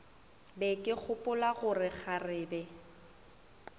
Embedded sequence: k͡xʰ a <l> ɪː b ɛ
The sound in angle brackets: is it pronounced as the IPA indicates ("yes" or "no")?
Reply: no